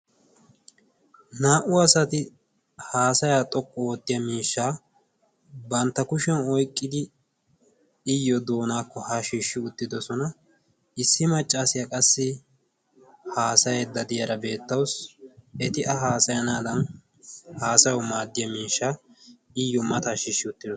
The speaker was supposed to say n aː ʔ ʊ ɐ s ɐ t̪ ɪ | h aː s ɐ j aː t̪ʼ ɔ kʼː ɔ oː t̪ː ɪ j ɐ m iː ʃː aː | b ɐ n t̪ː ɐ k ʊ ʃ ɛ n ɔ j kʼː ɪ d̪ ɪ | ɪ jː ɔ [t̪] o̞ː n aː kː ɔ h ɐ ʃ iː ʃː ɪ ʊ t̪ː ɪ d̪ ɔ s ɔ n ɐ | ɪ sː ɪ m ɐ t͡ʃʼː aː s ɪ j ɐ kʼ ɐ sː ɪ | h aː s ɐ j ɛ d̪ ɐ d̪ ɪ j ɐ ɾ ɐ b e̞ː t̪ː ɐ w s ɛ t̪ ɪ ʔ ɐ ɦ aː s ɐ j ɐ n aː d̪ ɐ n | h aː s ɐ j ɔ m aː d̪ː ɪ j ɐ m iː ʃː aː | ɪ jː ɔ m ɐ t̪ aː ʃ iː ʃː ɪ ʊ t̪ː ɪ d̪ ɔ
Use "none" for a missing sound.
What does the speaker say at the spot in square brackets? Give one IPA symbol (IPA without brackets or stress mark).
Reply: d̪